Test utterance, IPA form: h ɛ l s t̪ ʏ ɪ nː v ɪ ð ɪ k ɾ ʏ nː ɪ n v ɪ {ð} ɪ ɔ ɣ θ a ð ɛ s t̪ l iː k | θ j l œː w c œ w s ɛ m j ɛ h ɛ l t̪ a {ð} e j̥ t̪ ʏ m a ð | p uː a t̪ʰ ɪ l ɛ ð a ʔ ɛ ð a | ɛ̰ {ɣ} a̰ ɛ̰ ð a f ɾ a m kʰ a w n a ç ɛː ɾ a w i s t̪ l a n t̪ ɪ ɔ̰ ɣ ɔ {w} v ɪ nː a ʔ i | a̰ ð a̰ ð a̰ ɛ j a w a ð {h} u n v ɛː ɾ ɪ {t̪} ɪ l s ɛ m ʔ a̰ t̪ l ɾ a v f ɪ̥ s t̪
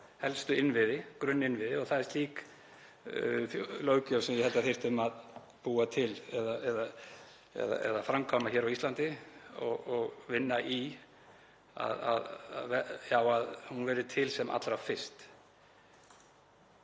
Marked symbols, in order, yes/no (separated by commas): yes, no, no, no, yes, no